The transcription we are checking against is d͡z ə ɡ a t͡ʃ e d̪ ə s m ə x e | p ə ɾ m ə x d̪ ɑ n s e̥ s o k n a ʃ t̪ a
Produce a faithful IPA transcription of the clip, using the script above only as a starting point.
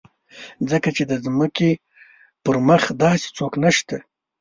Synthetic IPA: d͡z ə k a t͡ʃ e d̪ ə z m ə k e | p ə ɾ m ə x d̪ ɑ s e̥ t͡s o k n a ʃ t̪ a